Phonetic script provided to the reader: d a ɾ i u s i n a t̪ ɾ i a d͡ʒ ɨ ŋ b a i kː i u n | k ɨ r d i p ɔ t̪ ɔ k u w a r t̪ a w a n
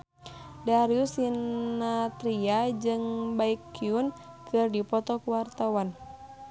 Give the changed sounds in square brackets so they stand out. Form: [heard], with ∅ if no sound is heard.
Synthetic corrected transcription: d a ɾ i u s i n a t̪ ɾ i a d͡ʒ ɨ ŋ b a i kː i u n | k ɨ r d i p ɔ t̪ ɔ k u w a r t̪ a w a n

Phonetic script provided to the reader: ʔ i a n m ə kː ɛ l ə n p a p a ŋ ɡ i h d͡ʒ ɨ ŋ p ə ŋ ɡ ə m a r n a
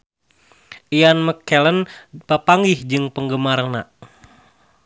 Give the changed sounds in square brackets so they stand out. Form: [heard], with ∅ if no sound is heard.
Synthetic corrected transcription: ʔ i a n m ə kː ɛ l ə n p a p a ŋ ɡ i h d͡ʒ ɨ ŋ p ə ŋ ɡ ə m a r n a

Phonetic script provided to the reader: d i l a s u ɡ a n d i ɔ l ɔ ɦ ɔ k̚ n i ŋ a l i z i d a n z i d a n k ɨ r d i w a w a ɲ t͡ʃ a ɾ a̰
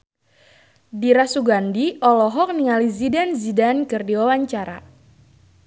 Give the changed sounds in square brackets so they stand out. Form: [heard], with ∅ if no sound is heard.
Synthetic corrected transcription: d i [ɾ] a s u ɡ a n d i ɔ l ɔ ɦ ɔ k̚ n i ŋ a l i z i d a n z i d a n k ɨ r d i w a w a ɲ t͡ʃ a ɾ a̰

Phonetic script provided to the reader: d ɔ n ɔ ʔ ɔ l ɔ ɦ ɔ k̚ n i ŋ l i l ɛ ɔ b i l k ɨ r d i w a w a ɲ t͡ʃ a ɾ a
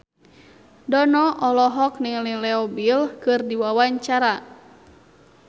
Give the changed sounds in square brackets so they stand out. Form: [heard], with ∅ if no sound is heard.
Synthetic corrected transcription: d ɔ n ɔ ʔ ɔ l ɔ ɦ ɔ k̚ n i ŋ l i l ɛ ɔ b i l k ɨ r d i w a w a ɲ t͡ʃ a ɾ a

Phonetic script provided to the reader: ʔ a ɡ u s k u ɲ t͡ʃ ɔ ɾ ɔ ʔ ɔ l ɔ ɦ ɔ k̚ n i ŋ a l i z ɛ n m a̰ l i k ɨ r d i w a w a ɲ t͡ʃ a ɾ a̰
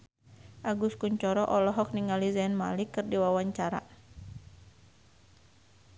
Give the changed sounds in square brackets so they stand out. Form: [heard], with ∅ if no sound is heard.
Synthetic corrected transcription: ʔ a ɡ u s k u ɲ t͡ʃ ɔ ɾ ɔ ʔ ɔ l ɔ ɦ ɔ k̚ n i ŋ a l i z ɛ n m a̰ l i k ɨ r d i w a w a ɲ t͡ʃ a ɾ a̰

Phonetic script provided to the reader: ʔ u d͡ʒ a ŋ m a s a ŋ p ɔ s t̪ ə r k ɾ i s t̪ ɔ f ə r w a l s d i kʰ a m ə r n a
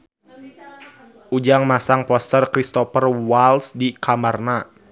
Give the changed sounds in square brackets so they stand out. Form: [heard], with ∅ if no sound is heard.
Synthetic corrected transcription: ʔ u d͡ʒ a ŋ m a s a ŋ p ɔ s t̪ ə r k ɾ i s t̪ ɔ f ə r w a l s d i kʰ a m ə r n a

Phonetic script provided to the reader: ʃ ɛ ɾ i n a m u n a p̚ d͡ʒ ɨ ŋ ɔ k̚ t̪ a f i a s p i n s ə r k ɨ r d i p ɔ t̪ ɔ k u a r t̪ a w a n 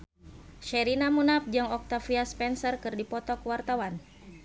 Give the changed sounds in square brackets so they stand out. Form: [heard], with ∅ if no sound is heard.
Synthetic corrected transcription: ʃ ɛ ɾ i n a m u n a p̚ d͡ʒ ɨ ŋ ɔ k̚ t̪ a f i a s p [ɛ] n s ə r k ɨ r d i p ɔ t̪ ɔ k [w] a r t̪ a w a n

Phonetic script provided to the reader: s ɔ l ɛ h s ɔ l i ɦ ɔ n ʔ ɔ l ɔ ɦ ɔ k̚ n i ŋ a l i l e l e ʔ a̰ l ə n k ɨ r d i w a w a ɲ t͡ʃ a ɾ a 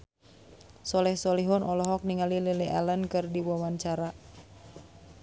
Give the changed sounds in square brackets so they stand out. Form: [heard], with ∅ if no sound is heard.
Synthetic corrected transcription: s ɔ l ɛ h s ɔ l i ɦ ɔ n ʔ ɔ l ɔ ɦ ɔ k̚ n i ŋ a l i l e l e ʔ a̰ l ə n k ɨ r d i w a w a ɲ t͡ʃ a ɾ a

